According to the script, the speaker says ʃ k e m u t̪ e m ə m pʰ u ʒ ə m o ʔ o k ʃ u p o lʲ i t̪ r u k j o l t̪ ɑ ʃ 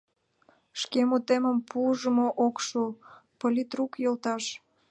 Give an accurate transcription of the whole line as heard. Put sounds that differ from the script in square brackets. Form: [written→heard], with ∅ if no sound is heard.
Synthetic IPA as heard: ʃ k e m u t̪ e m ə m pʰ u ʒ ə m o ʔ o k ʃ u p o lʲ i t̪ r u k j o l t̪ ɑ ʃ